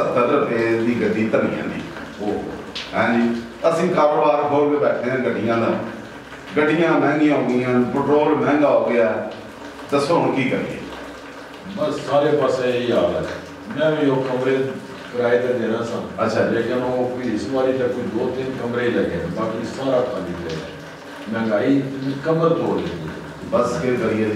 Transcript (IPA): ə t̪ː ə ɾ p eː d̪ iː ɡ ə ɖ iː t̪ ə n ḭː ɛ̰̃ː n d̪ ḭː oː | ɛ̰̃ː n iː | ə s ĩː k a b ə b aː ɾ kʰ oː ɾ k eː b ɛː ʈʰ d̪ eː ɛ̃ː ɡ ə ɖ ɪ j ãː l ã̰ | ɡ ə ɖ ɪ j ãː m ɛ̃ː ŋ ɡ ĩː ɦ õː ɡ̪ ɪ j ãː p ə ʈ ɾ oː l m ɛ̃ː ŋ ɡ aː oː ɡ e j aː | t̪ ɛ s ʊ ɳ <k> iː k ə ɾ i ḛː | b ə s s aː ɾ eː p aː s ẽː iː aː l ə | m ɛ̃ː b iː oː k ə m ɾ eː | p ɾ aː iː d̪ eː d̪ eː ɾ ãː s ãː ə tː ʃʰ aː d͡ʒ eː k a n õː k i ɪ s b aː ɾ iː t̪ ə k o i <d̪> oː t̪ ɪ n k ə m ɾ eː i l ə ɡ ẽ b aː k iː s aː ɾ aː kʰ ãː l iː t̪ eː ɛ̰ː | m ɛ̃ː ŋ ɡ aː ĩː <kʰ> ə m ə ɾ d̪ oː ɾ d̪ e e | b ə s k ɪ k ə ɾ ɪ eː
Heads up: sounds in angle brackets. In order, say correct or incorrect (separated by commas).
correct, correct, incorrect